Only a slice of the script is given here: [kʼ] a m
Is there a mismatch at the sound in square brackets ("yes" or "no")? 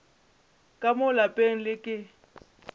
no